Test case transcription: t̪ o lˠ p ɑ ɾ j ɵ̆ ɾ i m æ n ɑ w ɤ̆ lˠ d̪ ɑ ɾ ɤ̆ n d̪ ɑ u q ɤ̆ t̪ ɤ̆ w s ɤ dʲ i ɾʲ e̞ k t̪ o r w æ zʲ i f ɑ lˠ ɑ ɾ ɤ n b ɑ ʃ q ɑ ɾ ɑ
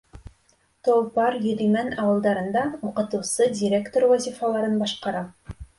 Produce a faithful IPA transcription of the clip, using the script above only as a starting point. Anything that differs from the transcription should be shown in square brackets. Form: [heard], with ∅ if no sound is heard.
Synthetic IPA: t̪ o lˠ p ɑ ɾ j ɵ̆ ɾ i m æ n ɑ w ɤ̆ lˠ d̪ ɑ ɾ ɤ̆ n d̪ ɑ u q ɤ̆ t̪ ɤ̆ w s ɤ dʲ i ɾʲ e̞ k t̪ o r w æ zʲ i f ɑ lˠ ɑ ɾ ɤ n b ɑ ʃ q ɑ ɾ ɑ